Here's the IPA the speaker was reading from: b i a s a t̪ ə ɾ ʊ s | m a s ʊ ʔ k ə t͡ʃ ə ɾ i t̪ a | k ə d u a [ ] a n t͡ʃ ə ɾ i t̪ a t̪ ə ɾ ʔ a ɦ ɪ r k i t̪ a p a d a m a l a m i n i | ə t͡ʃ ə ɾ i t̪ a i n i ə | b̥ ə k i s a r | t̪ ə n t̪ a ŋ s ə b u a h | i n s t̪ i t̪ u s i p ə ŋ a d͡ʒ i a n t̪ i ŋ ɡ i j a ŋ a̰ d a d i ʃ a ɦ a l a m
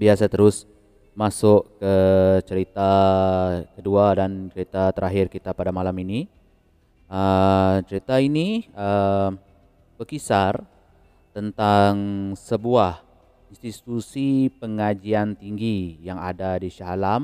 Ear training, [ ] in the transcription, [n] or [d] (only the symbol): d